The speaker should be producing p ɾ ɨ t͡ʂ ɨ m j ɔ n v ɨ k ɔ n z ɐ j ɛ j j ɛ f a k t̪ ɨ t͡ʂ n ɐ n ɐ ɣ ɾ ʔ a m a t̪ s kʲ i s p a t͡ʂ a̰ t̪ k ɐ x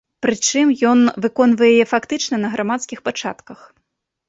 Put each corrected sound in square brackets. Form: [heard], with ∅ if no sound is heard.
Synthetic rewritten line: p ɾ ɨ t͡ʂ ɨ m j ɔ n v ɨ k ɔ n [v] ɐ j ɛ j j ɛ f a k t̪ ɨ t͡ʂ n ɐ n ɐ ɣ ɾ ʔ a m a t̪ s kʲ i [x] p a t͡ʂ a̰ t̪ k ɐ x